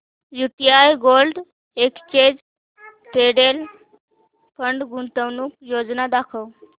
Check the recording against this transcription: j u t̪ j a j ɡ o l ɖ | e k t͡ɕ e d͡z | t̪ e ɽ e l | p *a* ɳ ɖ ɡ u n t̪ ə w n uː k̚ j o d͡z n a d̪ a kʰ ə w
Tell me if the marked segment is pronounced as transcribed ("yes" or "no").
no